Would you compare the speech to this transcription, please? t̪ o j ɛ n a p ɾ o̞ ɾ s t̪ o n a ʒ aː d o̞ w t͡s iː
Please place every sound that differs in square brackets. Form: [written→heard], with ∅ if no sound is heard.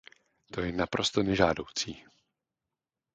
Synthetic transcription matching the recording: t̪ o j ɛ n a p ɾ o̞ [ɾ→∅] s t̪ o n [a→ɛ] ʒ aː d o̞ w t͡s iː